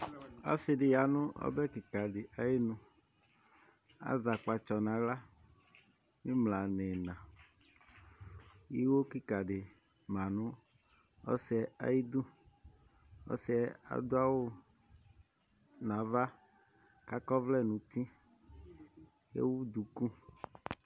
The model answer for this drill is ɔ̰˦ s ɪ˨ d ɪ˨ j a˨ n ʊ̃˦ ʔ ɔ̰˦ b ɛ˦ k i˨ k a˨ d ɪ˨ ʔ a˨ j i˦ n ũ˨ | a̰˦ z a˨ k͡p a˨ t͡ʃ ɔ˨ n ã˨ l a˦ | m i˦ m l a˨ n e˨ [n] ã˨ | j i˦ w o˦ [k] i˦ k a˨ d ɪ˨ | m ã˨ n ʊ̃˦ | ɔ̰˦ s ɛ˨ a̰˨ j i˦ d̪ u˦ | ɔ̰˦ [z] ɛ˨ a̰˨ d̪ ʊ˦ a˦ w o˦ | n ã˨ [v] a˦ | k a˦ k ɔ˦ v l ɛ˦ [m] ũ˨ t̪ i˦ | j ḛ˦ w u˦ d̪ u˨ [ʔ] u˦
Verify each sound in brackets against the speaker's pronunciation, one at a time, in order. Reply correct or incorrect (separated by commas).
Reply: correct, correct, incorrect, correct, incorrect, incorrect